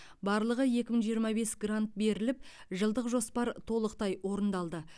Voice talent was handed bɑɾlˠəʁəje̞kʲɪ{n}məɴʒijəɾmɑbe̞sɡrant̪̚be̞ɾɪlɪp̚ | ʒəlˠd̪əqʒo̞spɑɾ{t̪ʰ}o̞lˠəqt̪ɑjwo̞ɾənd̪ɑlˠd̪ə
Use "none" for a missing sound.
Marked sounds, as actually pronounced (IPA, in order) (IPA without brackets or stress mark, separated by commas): none, t̪ʰ